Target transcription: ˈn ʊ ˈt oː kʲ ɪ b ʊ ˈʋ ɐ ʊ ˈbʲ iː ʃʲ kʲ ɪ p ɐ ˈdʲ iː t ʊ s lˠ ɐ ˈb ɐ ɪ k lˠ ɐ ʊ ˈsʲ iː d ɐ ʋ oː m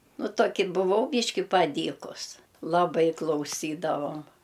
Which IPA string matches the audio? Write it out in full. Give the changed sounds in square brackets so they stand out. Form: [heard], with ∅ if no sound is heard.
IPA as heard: ˈn ʊ ˈt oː kʲ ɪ b ʊ ˈʋ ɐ ʊ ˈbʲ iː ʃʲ kʲ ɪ p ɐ ˈdʲ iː [k] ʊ s lˠ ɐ ˈb ɐ ɪ k lˠ ɐ ʊ ˈsʲ iː d ɐ ʋ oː m

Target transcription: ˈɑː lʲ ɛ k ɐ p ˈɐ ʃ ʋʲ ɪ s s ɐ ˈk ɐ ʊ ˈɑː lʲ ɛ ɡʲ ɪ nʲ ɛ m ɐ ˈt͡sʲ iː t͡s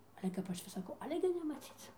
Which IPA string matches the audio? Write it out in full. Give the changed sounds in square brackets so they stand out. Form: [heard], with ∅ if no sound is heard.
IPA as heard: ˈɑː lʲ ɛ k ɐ p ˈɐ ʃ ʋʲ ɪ s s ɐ ˈk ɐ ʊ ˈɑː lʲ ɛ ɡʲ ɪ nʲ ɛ m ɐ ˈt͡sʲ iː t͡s

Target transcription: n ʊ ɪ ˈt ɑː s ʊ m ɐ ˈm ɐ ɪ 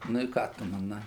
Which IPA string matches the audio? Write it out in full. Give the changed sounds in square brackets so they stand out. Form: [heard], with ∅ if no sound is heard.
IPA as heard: n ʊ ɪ [ˈk] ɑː [t] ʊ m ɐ [ˈn] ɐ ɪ

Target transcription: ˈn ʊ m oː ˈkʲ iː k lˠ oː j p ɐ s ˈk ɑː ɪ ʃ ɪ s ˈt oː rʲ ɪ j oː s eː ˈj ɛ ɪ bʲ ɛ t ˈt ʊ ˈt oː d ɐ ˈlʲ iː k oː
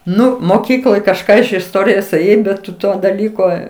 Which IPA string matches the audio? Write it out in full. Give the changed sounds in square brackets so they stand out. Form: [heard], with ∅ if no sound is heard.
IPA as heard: ˈn ʊ m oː ˈkʲ iː k lˠ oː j [k] ɐ [ʃ] ˈk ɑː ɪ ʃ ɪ s ˈt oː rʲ ɪ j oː s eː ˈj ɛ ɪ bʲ ɛ t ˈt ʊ ˈt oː d ɐ ˈlʲ iː k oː

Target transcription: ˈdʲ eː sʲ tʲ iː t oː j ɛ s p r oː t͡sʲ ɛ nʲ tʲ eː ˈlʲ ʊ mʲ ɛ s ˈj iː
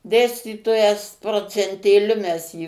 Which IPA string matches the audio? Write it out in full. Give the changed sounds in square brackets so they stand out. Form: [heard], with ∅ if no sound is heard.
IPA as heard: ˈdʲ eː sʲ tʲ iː t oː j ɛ s p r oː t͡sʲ ɛ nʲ tʲ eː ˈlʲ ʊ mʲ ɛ s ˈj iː

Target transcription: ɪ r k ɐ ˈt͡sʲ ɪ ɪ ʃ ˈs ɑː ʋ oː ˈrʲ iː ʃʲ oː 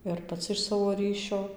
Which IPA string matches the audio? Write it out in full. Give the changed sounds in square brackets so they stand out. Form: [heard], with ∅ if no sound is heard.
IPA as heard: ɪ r [p] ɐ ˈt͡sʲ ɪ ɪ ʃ ˈs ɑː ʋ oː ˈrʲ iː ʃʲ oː

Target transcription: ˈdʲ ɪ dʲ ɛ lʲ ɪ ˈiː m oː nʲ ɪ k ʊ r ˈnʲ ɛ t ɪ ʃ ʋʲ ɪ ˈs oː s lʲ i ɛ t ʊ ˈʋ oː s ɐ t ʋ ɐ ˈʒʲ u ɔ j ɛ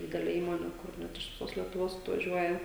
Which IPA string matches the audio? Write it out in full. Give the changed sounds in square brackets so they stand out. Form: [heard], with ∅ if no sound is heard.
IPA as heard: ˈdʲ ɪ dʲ ɛ lʲ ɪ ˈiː m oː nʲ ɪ k ʊ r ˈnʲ ɛ t ɪ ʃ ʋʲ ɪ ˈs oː s lʲ i ɛ t ʊ ˈʋ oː s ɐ t ʋ ɐ ˈʒʲ u ɔ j ɛ

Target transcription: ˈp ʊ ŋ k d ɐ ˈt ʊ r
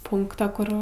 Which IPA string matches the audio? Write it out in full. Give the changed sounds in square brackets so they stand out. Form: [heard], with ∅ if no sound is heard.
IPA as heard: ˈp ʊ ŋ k [t] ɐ [ˈk] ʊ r

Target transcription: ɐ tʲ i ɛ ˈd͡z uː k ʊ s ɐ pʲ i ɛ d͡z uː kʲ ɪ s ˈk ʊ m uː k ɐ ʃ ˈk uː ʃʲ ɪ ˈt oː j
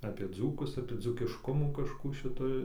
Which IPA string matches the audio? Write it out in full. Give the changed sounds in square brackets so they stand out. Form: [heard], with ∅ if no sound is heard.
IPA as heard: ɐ [pʲ] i ɛ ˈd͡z uː k ʊ s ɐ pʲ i ɛ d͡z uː kʲ ɪ [ʃ] ˈk ʊ m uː k ɐ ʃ ˈk uː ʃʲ ɪ ˈt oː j

